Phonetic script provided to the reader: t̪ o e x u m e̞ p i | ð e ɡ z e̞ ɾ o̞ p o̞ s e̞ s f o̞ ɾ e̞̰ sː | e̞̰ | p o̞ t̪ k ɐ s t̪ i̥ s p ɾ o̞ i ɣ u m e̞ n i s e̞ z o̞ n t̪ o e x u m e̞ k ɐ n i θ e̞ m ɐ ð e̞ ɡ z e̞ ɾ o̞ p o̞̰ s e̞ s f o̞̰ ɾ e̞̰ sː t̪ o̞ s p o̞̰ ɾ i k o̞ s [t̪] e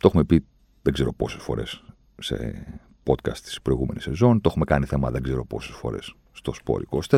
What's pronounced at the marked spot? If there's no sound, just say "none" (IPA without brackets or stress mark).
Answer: t̪